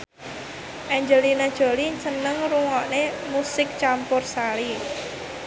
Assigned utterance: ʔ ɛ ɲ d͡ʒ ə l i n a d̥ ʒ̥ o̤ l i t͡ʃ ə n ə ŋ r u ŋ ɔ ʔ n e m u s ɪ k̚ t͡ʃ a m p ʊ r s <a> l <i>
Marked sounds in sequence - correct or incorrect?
correct, correct

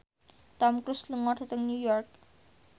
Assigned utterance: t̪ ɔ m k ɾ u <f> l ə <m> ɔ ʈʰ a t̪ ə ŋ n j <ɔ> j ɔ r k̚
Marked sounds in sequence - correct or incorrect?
incorrect, incorrect, incorrect

